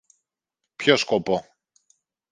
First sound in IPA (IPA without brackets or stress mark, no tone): p